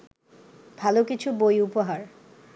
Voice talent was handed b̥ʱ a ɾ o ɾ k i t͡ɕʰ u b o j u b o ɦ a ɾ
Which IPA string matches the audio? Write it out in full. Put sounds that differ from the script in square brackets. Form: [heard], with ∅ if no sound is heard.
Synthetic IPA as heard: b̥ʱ a [l] o [∅] k i t͡ɕʰ u b o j u [p] o ɦ a ɾ